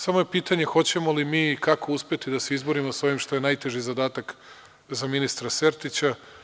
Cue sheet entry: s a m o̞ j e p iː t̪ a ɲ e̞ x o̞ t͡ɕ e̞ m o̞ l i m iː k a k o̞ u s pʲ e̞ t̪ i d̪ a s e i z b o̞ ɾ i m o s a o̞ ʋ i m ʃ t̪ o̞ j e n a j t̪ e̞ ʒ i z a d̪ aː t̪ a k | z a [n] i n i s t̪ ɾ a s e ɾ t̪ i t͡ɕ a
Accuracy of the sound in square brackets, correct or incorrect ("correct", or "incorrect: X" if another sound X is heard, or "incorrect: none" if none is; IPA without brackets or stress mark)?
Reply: incorrect: m